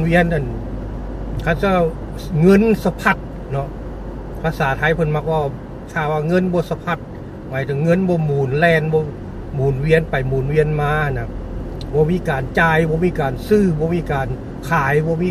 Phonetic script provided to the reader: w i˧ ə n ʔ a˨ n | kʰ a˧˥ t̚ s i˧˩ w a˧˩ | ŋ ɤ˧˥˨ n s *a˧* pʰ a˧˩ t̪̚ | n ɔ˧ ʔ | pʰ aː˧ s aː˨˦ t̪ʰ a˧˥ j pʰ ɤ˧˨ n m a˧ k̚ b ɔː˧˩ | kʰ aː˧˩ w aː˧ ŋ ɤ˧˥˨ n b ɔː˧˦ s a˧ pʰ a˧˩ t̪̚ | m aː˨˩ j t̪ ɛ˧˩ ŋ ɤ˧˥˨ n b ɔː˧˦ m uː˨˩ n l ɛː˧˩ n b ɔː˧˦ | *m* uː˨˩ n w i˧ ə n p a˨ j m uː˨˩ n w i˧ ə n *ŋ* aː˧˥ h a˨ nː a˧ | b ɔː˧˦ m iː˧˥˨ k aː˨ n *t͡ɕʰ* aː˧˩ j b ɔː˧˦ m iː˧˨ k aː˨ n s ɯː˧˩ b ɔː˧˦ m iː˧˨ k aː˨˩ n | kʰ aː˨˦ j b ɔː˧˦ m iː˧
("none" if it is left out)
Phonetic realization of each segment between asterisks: a˧, m, m, t͡ɕ

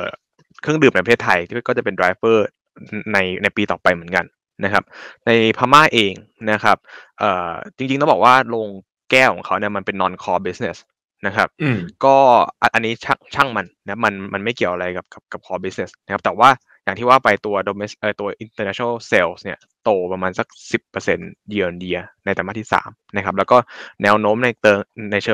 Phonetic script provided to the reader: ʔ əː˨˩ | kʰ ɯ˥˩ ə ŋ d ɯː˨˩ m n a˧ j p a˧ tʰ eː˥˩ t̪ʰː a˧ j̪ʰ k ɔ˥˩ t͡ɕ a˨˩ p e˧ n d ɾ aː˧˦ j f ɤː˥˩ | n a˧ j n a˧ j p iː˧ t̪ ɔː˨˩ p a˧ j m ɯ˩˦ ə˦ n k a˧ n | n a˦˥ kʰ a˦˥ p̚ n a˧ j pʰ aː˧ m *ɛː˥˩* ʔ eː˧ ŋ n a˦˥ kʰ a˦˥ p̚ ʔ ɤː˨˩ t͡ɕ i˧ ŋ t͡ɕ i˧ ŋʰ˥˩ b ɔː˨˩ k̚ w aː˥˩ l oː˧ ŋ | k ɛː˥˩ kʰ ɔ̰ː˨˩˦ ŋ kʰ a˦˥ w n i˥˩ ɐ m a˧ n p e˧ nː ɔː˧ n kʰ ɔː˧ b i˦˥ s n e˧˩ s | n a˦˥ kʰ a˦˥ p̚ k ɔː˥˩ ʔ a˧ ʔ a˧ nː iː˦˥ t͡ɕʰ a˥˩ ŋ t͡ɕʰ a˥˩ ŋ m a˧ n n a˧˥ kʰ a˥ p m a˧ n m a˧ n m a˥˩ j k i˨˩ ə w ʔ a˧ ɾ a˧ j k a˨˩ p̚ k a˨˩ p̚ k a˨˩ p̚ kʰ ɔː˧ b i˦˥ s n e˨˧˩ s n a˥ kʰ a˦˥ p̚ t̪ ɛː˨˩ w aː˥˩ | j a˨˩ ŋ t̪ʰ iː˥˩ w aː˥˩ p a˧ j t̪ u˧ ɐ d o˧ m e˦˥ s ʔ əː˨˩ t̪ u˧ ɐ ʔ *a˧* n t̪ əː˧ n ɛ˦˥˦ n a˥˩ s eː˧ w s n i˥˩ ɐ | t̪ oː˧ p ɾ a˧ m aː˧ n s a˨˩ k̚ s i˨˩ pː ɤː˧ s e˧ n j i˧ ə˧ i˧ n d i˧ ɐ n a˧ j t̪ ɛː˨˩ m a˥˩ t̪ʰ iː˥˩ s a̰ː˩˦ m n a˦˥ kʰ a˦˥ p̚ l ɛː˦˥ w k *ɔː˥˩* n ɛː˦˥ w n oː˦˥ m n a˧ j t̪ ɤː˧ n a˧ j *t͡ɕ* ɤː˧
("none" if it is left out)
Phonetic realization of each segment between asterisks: aː˥˩, i˧, ɔː˥˩, t͡ɕʰ

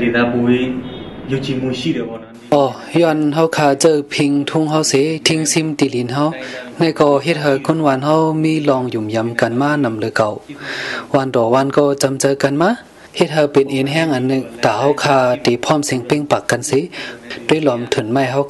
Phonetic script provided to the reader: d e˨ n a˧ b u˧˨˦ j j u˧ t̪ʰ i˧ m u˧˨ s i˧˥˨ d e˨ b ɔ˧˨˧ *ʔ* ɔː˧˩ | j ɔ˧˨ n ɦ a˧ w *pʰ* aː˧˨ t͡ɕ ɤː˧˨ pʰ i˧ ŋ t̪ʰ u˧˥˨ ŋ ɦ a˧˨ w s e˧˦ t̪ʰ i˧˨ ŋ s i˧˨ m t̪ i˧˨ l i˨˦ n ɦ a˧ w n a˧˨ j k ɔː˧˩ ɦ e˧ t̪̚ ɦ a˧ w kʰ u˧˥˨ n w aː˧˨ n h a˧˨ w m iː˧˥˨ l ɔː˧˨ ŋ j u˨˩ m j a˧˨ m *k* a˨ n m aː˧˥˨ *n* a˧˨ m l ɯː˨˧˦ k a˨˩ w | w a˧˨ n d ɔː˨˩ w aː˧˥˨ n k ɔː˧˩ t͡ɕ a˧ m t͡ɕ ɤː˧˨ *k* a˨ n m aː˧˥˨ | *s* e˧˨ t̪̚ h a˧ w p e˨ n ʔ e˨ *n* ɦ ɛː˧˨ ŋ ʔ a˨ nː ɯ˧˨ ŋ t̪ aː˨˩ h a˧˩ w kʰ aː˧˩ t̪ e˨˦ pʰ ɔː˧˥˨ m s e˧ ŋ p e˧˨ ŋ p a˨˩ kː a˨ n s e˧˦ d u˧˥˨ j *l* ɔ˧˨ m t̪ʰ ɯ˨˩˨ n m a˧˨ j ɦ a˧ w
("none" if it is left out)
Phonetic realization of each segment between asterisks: ʔ, kʰ, k, n, k, h, n, l

